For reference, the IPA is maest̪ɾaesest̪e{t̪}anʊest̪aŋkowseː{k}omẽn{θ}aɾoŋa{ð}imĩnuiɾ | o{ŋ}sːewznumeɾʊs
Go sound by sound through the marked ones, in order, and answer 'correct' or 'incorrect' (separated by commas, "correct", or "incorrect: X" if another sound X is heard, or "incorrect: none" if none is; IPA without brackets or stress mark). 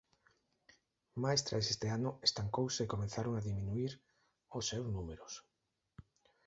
incorrect: none, correct, correct, correct, incorrect: none